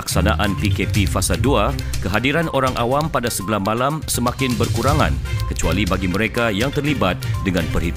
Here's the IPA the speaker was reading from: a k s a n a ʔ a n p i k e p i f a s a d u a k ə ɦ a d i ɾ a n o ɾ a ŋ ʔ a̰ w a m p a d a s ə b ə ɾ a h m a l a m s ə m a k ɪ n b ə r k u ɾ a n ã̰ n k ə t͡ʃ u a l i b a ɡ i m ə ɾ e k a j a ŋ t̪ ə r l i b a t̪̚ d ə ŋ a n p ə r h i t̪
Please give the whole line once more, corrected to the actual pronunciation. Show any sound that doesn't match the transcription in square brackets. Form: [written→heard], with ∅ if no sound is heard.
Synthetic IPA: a k s a n a ʔ a n p i k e p i f a s a d u a k ə ɦ a d i ɾ a n o ɾ a ŋ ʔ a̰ w a m p a d a s ə b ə [ɾ→l] a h m a l a m s ə m a k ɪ n b ə r k u ɾ a [n→ŋ] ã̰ n k ə t͡ʃ u a l i b a ɡ i m ə ɾ e k a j a ŋ t̪ ə r l i b a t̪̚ d ə ŋ a n p ə r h i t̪